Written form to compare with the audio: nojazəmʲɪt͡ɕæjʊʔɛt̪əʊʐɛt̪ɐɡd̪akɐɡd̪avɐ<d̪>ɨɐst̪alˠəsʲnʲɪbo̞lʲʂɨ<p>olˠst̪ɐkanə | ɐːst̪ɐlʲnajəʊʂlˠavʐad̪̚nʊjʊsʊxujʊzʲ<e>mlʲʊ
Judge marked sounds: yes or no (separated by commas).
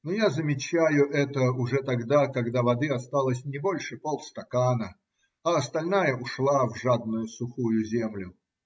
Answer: yes, yes, yes